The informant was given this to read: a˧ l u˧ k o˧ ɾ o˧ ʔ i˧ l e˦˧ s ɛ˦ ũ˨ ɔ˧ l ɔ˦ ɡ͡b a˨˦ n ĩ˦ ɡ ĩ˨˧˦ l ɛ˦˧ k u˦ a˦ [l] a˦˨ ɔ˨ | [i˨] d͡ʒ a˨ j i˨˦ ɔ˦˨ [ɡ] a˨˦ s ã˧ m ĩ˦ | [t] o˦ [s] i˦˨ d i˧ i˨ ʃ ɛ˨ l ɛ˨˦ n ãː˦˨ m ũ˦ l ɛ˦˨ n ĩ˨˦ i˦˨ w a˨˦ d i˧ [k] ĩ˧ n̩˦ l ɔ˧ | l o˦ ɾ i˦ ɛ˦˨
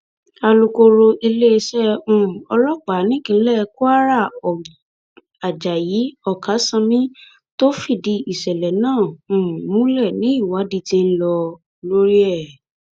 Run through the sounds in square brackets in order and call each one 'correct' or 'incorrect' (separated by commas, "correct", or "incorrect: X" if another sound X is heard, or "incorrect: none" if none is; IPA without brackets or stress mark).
incorrect: ɾ, incorrect: a˨, incorrect: k, correct, incorrect: f, incorrect: t